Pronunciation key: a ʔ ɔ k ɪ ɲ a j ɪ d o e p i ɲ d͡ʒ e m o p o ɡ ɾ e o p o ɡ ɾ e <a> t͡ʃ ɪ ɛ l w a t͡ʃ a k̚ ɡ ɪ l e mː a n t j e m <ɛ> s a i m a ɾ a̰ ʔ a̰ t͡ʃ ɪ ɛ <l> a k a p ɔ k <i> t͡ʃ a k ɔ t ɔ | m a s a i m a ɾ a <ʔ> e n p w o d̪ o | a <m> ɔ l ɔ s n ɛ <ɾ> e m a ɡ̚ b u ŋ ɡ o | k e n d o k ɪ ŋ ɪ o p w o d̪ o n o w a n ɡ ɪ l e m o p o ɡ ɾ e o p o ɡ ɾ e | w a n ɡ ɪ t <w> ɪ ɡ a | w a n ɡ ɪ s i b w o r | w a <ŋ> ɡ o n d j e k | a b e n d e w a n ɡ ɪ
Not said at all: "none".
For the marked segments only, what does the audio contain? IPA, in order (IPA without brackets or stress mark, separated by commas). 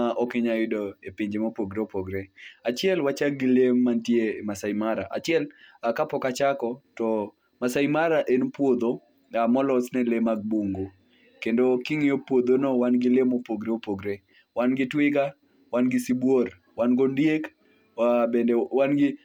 a, a, l, a, ʔ, m, l, w, n